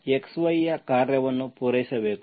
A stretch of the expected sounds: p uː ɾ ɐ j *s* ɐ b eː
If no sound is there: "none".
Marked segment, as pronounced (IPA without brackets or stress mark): s